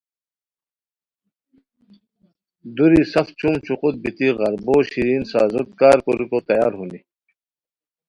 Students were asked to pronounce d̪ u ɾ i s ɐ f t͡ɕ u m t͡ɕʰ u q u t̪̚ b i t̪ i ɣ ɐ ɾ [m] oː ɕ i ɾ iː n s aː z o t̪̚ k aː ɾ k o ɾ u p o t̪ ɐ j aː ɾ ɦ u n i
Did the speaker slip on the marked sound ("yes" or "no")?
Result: yes